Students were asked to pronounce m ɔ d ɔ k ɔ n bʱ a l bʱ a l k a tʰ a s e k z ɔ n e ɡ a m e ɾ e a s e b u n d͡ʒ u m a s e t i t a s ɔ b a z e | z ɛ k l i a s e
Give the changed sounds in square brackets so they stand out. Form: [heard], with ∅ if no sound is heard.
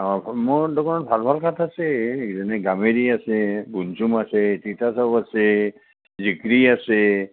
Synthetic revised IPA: m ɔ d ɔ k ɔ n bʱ a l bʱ a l k a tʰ a s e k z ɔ n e ɡ a m e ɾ [i] a s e b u n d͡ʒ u m a s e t i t a s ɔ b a [s] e | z [i] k [ɾ] i a s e